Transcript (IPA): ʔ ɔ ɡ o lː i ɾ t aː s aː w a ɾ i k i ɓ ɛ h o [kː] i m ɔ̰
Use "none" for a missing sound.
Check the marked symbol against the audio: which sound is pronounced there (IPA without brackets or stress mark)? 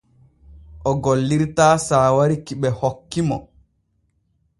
kː